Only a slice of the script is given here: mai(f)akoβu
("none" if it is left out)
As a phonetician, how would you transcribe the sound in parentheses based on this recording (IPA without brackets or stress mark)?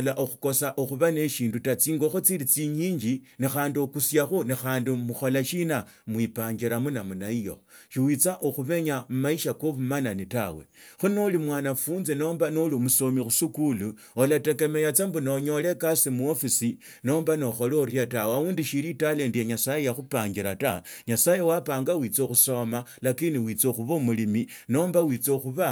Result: ʃ